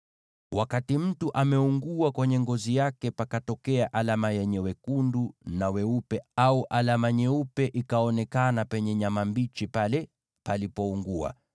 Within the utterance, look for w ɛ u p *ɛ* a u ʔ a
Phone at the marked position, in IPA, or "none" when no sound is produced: ɛ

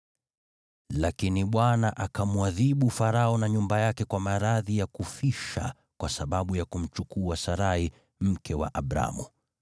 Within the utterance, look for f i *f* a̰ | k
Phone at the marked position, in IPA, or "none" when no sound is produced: ʃ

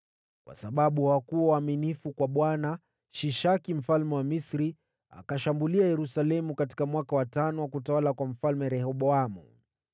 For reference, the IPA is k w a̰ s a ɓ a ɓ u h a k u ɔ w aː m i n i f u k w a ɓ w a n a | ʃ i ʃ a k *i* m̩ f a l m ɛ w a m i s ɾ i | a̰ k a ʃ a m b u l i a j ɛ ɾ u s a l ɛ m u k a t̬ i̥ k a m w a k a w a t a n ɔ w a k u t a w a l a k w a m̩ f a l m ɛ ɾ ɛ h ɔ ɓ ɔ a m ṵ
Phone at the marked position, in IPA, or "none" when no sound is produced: i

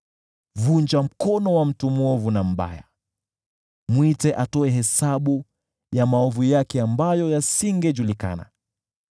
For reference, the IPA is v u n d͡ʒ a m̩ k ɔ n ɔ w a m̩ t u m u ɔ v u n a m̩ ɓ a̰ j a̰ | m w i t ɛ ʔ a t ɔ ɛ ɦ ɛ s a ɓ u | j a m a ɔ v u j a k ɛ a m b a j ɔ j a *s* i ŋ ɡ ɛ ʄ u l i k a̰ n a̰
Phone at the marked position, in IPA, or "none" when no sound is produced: s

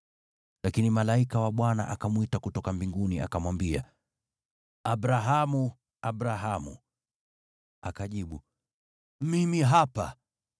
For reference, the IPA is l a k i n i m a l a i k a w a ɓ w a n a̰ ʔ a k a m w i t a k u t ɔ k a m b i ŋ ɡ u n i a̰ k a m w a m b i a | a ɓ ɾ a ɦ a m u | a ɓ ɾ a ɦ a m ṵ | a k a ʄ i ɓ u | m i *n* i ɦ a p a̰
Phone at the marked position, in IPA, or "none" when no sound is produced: m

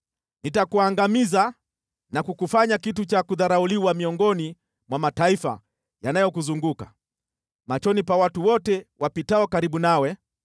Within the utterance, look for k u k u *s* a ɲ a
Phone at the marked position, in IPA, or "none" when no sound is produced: f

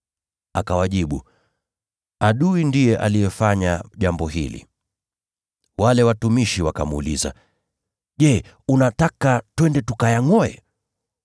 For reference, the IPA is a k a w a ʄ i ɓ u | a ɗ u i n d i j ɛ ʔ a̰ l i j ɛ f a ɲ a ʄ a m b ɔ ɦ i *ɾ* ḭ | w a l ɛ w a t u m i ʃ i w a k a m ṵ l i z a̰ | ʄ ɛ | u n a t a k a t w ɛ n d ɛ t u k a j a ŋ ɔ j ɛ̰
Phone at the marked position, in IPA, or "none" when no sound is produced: l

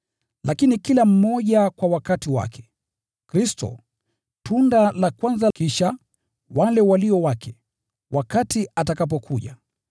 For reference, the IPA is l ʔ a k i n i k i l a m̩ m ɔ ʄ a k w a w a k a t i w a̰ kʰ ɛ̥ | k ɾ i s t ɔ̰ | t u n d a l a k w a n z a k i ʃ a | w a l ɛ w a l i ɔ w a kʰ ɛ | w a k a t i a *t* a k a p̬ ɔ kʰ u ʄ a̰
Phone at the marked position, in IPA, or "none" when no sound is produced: t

